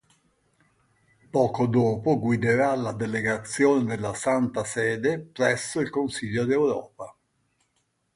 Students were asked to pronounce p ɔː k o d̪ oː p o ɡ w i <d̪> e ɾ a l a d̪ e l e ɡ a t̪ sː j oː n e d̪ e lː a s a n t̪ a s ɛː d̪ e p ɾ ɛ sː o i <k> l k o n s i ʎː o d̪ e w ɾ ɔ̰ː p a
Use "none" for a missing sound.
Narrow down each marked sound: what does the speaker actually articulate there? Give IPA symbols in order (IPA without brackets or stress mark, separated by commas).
d̪, none